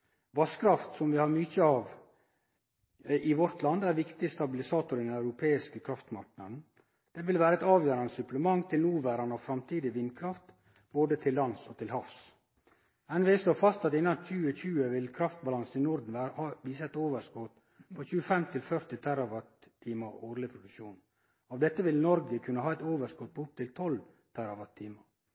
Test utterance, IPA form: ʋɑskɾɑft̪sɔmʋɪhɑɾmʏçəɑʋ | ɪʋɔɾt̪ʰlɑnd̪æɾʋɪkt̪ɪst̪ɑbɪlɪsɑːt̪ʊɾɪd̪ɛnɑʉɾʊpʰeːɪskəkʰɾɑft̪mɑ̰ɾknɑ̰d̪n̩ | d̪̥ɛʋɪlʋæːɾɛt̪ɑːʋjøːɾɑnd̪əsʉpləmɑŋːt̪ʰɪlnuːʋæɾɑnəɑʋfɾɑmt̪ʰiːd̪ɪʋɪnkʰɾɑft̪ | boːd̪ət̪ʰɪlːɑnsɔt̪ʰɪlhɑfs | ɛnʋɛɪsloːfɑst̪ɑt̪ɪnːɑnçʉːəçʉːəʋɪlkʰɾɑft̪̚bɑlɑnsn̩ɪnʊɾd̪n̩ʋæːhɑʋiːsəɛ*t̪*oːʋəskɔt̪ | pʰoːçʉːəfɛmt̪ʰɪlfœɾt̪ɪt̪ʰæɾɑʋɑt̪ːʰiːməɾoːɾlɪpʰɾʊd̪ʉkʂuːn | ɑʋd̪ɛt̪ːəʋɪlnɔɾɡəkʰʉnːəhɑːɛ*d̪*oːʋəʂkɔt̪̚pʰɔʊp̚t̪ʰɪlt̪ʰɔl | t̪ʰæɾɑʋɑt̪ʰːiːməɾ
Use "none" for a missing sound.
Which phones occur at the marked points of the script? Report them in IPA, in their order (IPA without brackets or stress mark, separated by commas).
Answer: t̪, t̪